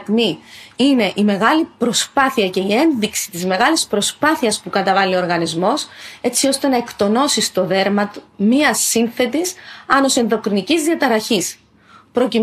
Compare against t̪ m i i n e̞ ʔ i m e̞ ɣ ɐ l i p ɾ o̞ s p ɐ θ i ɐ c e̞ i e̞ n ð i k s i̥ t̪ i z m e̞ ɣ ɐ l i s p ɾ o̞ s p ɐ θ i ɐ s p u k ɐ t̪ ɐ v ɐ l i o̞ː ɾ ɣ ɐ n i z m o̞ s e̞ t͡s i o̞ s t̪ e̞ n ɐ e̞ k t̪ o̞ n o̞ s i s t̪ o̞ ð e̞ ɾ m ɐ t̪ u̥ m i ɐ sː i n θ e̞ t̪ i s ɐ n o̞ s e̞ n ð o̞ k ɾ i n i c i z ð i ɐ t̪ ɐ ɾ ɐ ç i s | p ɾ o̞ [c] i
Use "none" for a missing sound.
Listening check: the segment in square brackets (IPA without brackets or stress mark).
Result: c